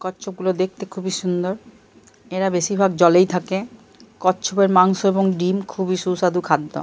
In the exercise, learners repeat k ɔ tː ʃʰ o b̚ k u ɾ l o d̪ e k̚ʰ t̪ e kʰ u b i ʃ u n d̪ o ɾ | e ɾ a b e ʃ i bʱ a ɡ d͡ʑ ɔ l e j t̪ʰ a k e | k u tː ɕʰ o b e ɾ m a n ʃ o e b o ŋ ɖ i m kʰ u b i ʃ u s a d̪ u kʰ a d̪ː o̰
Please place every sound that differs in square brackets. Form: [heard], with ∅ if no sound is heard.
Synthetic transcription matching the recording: k ɔ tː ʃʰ o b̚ [ɡ] u [∅] l o d̪ e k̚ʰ t̪ e kʰ u b i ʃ u n d̪ o ɾ | e ɾ a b e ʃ i bʱ a ɡ d͡ʑ ɔ l e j t̪ʰ a k e | k [ɔ] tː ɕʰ o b e ɾ m a [ŋ] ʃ o e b o ŋ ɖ i m kʰ u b i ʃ u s a d̪ u kʰ a d̪ː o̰